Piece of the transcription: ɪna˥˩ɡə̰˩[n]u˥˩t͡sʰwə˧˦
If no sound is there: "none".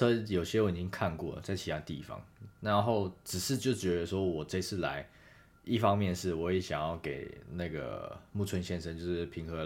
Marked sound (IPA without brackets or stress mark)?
m